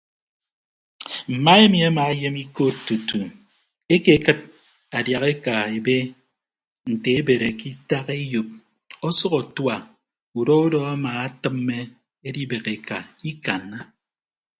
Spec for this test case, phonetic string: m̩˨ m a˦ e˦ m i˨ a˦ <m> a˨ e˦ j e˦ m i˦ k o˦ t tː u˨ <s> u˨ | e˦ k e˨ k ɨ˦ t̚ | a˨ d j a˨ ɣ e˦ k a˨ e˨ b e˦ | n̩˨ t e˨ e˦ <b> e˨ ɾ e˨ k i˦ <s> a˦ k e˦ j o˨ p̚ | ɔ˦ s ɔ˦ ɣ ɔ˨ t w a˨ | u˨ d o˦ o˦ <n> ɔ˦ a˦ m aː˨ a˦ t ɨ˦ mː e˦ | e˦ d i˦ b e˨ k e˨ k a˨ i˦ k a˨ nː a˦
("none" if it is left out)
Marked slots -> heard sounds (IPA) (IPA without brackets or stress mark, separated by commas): m, t, b, t, d